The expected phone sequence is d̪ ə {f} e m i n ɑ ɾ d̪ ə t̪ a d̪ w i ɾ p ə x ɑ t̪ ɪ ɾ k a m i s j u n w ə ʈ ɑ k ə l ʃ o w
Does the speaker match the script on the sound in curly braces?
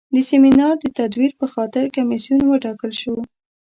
no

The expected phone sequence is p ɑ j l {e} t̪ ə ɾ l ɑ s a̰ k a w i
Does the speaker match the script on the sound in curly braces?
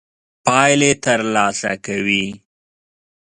yes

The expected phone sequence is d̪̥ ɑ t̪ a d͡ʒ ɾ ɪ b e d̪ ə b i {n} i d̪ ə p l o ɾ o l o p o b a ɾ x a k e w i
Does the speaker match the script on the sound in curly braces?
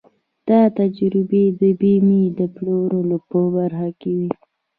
no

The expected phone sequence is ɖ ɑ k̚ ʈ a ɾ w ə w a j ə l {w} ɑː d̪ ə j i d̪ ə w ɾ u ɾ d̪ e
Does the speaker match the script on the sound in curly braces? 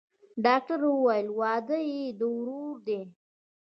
yes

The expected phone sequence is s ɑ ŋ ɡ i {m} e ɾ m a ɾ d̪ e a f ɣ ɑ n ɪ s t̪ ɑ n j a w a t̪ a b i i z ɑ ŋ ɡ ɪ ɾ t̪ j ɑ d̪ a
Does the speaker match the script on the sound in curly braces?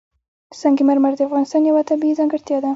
yes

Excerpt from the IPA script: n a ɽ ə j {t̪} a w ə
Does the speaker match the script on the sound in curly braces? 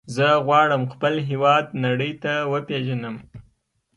yes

